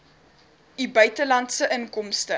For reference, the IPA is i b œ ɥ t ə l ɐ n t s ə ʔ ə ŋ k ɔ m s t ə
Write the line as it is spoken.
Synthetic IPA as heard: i b œ ɥ t ə l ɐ n t s ə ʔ ə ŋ k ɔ m s t ə

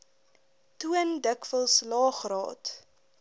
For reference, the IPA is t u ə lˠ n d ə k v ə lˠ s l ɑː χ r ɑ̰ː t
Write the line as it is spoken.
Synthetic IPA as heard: t u ə n d ə k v ə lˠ s l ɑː χ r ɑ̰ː t

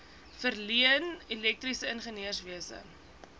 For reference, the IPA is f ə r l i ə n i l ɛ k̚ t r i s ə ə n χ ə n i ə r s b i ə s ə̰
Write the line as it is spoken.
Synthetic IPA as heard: f ə r l i ə n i l ɛ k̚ t r i s ə ə n χ ə n i ə r s v i ə s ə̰

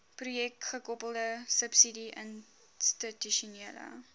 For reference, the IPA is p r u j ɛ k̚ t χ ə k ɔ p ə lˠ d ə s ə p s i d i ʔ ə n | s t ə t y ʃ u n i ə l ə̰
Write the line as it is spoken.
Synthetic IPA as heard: p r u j ɛ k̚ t χ ə k ɔ p ə lˠ d ə s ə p s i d i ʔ ə n | s t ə t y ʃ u n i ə l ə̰

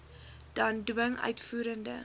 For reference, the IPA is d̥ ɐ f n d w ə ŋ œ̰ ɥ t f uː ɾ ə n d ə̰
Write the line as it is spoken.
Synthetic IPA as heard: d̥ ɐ n d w ə ŋ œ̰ ɥ t f uː ɾ ə n d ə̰

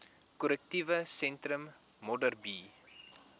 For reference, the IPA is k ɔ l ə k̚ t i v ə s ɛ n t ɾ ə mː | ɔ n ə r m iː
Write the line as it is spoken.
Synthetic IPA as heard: k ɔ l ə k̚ t i v ə s ɛ n t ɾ ə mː | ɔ d ə r b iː

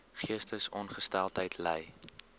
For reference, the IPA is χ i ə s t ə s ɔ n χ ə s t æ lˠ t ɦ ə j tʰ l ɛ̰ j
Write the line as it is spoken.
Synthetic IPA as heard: χ i ə s t ə s ɔ n χ ə s t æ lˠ t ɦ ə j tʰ l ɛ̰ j

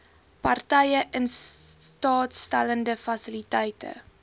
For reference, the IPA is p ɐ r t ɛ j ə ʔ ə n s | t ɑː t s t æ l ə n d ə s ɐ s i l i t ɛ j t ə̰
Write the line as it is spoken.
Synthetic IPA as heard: p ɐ r t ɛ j ə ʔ ə n s | t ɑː t s t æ l ə n d ə f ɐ s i l i t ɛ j t ə̰

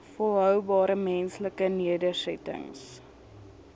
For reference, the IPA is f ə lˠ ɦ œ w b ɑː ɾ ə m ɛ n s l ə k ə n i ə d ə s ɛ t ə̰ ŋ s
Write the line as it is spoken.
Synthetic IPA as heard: f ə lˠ ɦ œ w b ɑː ɾ ə m ɛ n s l ə k ə n i ə d ə s ɛ t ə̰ ŋ s

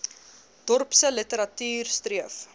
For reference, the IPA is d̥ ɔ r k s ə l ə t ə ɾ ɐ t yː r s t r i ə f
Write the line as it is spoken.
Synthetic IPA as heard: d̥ ɔ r p s ə l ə t ə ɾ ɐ t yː r s t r i ə f

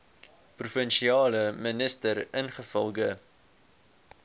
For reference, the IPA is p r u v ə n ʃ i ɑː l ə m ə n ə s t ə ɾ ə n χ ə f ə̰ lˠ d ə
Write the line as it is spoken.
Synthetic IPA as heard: p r u f ə n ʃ i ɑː l ə m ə n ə s t ə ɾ ə n χ ə f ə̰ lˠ ɡ ə

